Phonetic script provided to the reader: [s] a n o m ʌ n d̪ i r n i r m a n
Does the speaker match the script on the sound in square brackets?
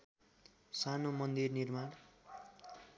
yes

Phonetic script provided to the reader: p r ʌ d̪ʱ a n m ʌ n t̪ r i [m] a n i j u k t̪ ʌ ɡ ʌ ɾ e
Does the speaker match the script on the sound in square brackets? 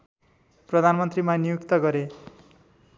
yes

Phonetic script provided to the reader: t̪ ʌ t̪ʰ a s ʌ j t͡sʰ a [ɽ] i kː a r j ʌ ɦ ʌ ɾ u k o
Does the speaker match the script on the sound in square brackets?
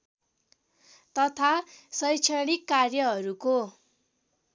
yes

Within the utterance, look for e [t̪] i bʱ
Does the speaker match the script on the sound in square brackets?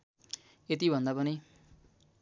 yes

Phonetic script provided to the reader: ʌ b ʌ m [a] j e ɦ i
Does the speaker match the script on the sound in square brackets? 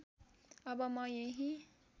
no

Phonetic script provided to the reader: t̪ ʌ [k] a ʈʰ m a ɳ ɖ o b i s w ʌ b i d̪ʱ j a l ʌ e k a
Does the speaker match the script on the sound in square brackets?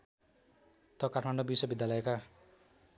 yes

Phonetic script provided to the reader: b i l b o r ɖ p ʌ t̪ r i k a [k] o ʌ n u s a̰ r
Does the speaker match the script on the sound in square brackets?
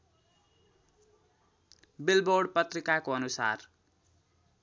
yes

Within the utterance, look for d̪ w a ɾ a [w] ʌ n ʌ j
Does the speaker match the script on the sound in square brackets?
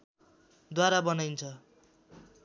no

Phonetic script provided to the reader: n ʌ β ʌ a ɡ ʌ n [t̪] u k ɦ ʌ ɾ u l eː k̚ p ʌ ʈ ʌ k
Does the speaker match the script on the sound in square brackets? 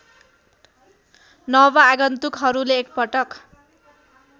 yes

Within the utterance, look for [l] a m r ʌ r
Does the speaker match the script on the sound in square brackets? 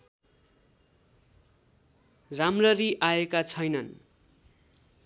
no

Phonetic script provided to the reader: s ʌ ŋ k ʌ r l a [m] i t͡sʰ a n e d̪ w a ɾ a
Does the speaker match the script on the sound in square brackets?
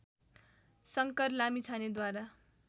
yes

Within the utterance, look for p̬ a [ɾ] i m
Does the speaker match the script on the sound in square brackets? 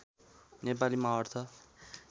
no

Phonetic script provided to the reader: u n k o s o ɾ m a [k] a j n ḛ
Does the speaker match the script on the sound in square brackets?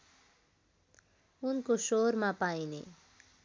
no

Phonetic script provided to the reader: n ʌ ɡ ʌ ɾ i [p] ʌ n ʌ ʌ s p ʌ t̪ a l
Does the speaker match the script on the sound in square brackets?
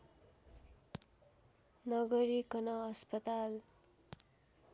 no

